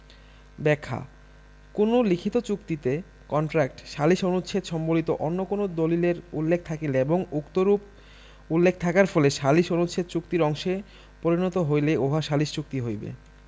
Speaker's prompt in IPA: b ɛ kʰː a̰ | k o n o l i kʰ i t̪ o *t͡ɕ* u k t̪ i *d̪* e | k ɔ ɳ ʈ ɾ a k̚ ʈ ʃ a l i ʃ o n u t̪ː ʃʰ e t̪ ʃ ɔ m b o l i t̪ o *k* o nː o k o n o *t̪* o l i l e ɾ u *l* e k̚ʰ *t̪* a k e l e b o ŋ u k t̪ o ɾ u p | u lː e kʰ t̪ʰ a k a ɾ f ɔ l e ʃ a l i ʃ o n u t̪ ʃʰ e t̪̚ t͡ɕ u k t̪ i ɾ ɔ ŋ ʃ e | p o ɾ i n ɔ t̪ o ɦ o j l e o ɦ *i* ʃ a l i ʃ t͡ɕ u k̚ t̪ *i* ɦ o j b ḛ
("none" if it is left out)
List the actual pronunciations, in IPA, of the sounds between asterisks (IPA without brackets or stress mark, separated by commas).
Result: t͡ɕ, t̪, ʔ, d̪, lː, t̪ʰ, a, i